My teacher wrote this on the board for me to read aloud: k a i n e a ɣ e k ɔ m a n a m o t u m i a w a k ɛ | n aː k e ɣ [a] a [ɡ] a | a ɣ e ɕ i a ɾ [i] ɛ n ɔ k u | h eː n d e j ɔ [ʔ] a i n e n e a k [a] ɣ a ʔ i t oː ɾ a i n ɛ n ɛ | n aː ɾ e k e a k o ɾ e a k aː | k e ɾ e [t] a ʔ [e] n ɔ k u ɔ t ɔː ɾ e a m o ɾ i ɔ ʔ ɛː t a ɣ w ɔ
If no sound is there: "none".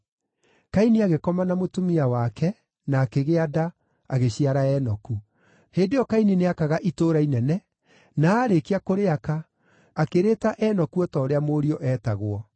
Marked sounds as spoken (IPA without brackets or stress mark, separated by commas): e, d, a, k, a, t, ɛ